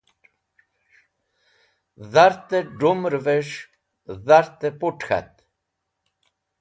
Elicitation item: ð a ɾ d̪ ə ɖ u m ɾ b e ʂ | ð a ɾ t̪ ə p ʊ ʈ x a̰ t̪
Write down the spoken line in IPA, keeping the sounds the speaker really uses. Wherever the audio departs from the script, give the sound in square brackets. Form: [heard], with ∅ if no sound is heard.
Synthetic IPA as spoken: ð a ɾ [t̪] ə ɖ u m ɾ [v] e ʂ | ð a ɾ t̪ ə p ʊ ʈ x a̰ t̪